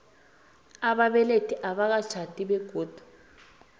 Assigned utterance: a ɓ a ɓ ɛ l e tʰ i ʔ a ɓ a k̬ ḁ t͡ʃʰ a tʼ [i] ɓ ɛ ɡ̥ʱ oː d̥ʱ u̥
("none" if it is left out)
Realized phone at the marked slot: i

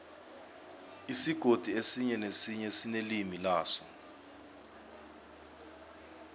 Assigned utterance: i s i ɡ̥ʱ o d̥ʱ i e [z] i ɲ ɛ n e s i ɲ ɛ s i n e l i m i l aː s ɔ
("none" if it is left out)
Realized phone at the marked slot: s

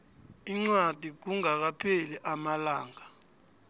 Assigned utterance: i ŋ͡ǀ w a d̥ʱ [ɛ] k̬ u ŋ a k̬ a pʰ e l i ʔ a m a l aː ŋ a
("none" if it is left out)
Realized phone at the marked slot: i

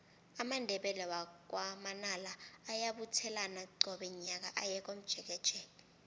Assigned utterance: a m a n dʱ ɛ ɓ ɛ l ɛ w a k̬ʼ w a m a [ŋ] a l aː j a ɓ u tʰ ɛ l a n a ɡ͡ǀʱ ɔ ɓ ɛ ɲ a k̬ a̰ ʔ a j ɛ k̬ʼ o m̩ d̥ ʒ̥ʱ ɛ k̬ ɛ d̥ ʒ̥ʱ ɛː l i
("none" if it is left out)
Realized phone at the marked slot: n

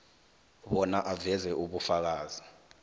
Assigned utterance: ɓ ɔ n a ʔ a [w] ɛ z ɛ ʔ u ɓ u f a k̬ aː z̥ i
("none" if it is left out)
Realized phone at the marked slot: v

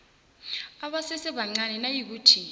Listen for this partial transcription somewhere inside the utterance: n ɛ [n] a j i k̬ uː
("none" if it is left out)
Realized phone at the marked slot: n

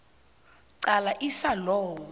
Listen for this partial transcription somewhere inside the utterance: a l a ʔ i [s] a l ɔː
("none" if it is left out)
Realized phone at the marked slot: s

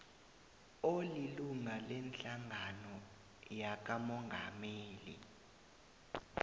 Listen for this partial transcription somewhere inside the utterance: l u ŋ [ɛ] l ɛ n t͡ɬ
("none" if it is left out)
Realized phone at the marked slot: a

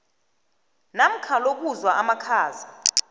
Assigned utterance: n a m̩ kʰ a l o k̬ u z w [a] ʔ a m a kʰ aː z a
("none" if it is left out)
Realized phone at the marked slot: a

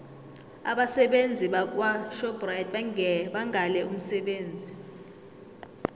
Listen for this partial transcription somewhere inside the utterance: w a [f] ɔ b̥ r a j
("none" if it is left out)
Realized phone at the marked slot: ʃ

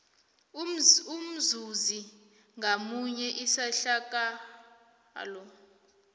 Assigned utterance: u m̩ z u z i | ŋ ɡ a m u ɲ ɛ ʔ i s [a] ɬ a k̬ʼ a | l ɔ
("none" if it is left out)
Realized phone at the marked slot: a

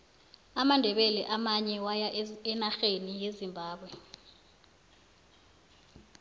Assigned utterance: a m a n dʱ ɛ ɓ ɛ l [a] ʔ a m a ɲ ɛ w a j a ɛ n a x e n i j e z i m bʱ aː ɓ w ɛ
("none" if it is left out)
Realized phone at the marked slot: ɛ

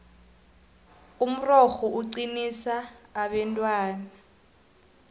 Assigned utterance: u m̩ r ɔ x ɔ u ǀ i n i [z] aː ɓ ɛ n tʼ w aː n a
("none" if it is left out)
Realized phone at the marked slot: s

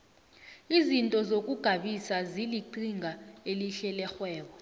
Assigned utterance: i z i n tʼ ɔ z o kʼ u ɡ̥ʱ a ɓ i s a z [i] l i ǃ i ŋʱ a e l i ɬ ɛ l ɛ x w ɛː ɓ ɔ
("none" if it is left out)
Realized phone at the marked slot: i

